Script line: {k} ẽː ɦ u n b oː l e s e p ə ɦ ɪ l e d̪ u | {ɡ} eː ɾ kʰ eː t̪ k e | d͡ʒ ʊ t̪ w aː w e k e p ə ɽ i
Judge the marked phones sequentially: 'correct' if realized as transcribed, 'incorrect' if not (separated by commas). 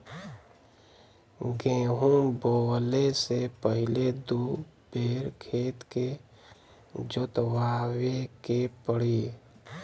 incorrect, incorrect